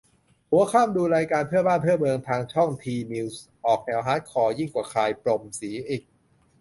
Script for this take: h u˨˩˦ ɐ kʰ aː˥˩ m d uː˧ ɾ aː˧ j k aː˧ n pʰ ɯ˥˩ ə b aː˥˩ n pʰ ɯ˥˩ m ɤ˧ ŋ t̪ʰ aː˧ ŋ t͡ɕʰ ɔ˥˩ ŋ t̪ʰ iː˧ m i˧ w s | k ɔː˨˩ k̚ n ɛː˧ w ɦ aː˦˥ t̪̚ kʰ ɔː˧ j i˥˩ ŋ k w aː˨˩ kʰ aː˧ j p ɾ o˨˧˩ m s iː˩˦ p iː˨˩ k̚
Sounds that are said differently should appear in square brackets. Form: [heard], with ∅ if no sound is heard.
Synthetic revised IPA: h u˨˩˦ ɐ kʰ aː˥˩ m d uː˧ ɾ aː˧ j k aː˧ n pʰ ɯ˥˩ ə b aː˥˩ n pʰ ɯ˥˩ m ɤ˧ ŋ t̪ʰ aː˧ ŋ t͡ɕʰ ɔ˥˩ ŋ t̪ʰ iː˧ m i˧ w s | [ʔ] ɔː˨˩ k̚ n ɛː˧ w ɦ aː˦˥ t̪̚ kʰ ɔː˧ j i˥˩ ŋ k w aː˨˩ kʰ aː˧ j p ɾ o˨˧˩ m s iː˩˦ [ʔ] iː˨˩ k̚

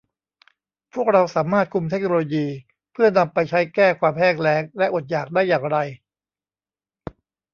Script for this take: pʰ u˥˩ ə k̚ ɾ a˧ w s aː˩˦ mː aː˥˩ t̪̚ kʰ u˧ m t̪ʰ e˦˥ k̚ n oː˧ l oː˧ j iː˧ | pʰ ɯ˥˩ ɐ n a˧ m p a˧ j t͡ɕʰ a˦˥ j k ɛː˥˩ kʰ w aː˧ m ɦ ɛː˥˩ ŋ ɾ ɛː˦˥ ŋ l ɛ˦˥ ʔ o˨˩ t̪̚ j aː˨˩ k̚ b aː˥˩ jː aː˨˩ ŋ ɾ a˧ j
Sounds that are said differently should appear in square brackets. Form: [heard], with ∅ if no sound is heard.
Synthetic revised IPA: pʰ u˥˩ ə k̚ ɾ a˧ w s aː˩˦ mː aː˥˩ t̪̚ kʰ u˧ m t̪ʰ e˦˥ k̚ n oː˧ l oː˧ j iː˧ | pʰ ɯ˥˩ ɐ n a˧ m p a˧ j t͡ɕʰ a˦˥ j k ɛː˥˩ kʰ w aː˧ m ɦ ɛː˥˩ ŋ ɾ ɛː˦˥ ŋ l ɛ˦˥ ʔ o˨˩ t̪̚ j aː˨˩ k̚ [d] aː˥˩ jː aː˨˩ ŋ ɾ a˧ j

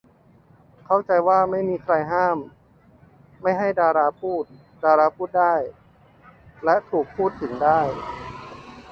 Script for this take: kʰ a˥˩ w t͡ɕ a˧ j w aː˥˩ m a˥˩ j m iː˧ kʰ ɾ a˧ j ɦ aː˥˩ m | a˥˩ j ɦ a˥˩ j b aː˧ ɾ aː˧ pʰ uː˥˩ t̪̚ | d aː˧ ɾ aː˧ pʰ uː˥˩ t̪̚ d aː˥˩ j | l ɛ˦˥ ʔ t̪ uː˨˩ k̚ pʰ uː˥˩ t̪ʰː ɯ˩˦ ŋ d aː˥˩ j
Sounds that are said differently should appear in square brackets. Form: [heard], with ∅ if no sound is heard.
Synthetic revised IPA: kʰ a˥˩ w t͡ɕ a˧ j w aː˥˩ m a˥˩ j m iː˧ kʰ ɾ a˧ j ɦ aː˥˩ m | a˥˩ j ɦ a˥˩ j [d] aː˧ ɾ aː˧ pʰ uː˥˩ t̪̚ | d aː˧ ɾ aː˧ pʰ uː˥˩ t̪̚ d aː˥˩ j | l ɛ˦˥ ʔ [t̪ʰ] uː˨˩ k̚ pʰ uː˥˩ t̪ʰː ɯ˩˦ ŋ d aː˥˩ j

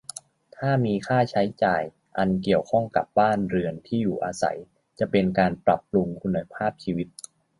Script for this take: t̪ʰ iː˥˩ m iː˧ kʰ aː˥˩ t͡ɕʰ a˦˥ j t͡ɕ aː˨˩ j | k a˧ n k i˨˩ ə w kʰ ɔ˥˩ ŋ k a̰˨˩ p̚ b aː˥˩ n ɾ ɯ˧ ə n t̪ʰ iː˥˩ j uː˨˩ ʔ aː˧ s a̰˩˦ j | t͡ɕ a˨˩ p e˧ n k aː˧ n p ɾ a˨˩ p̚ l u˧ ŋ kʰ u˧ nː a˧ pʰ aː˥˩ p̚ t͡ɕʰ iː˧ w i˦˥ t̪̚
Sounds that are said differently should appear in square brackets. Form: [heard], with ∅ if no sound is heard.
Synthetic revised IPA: t̪ʰ [aː˥˩] m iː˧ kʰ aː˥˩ t͡ɕʰ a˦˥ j t͡ɕ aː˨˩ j | [ʔ] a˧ n k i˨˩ ə w kʰ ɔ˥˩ ŋ k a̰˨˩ p̚ b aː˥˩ n ɾ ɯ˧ ə n t̪ʰ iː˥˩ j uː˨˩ ʔ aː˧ s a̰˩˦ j | t͡ɕ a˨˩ p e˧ n k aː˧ n p ɾ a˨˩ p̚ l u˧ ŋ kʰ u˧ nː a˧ pʰ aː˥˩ p̚ t͡ɕʰ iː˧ w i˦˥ t̪̚

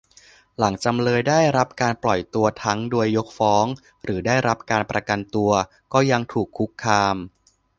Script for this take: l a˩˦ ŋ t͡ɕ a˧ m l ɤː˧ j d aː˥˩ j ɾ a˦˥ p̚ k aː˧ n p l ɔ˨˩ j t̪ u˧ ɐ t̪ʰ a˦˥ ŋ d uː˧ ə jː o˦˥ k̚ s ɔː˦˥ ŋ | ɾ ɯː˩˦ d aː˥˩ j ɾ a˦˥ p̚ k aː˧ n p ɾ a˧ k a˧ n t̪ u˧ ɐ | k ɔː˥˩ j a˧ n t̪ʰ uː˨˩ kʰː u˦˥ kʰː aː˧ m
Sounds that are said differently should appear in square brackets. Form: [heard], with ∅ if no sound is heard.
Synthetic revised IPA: l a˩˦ ŋ t͡ɕ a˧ m l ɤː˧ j d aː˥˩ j ɾ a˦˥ p̚ k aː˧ n p l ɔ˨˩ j t̪ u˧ ɐ t̪ʰ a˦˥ ŋ d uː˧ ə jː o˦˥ k̚ [f] ɔː˦˥ ŋ | ɾ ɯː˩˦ d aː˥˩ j ɾ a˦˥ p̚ k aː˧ n p ɾ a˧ k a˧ n t̪ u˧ ɐ | k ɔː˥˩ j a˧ [ŋ] t̪ʰ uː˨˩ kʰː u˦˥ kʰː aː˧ m

